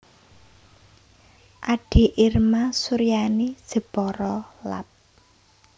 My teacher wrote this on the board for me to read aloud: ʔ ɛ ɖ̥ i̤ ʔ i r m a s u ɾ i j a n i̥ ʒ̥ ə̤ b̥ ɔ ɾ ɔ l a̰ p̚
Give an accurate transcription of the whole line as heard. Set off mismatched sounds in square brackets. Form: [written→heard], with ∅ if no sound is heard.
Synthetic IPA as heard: ʔ [ɛ→a] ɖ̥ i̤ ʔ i r m a s u ɾ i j a n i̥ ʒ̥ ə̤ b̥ ɔ ɾ ɔ l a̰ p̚